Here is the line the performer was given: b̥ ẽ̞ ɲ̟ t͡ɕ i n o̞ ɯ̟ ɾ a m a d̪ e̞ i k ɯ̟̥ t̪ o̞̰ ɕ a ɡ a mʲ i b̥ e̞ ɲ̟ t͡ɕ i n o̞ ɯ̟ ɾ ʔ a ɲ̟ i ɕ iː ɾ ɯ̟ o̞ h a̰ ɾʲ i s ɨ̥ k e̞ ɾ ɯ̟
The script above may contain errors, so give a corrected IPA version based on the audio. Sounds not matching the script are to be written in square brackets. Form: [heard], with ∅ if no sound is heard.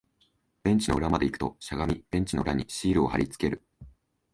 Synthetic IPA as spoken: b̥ ẽ̞ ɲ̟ t͡ɕ i n o̞ ɯ̟ ɾ a m a d̪ e̞ i k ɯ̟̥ t̪ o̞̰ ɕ a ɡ a mʲ i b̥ [ẽ̞] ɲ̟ t͡ɕ i n o̞ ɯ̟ ɾ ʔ a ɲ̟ i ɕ iː ɾ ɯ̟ o̞ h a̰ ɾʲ i [t͡s] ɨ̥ k e̞ ɾ ɯ̟